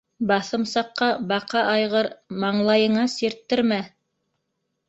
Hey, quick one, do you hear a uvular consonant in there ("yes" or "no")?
yes